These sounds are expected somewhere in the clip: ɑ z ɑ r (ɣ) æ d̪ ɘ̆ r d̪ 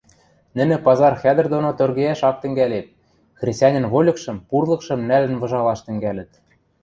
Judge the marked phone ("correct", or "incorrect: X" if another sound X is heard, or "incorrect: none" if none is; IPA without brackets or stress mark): incorrect: x